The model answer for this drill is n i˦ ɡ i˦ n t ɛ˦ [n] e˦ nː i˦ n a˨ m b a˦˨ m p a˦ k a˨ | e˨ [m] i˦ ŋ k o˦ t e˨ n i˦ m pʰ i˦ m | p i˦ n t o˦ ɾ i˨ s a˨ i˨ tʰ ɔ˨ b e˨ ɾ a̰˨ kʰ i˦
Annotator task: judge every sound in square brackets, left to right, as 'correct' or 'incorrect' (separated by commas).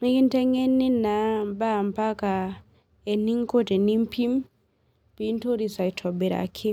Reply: incorrect, incorrect